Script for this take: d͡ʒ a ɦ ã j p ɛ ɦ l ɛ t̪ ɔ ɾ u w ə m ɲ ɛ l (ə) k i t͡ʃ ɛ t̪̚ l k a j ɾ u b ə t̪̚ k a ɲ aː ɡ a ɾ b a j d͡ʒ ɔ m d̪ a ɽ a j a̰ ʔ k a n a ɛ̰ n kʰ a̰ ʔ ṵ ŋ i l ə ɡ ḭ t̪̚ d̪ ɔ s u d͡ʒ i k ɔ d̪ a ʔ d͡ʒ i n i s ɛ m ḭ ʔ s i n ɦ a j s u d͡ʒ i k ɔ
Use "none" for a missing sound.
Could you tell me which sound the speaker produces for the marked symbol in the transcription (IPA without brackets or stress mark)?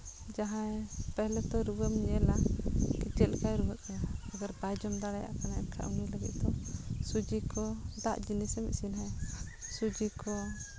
a